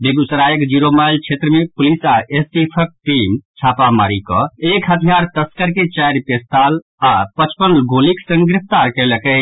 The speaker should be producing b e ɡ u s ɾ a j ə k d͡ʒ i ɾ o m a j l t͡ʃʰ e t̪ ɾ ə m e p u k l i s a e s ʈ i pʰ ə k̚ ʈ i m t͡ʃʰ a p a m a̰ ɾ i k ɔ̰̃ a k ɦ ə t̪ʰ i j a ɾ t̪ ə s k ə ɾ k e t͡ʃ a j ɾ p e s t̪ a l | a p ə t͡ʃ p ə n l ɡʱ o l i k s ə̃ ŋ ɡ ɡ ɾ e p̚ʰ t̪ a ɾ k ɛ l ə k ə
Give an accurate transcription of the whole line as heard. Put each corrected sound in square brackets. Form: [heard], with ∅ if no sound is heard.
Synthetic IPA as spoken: b e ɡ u s ɾ a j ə k d͡ʒ i ɾ o m a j l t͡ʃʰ e t̪ ɾ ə m e p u [∅] l i s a e s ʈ i pʰ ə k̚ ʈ i m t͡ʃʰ a p a m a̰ ɾ i k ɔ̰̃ [e] k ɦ ə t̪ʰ i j a ɾ t̪ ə s k ə ɾ k e t͡ʃ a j ɾ p e s t̪ a l | a p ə t͡ʃ p ə n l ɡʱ o l i k s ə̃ ŋ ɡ ɡ ɾ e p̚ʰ t̪ a ɾ k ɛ l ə k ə